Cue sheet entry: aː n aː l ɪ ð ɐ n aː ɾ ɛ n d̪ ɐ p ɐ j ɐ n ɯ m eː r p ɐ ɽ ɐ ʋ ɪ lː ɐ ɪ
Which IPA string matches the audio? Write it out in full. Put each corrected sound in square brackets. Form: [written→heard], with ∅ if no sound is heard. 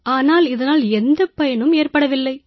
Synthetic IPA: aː n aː l ɪ ð ɐ n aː [ɾ→l] ɛ n d̪ ɐ p ɐ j ɐ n ɯ m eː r p ɐ ɽ ɐ ʋ ɪ lː ɐ ɪ